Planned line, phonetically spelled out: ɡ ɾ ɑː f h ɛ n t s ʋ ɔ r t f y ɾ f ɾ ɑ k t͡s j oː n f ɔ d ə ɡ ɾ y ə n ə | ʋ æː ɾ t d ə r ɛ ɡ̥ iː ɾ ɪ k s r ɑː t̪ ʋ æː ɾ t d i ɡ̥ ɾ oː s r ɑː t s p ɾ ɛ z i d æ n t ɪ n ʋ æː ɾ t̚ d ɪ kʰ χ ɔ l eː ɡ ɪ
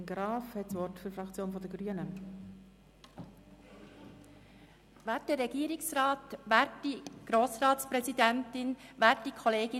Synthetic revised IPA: ɡ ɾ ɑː f h ɛ t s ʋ ɔ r t f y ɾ f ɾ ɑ k t͡s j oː n f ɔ d ə ɡ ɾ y ə n ə | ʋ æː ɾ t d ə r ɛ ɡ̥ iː ɾ ɪ k s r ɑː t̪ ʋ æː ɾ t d i ɡ̥ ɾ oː s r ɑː t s p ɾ ɛ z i d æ n t ɪ n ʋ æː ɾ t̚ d i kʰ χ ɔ l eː ɡ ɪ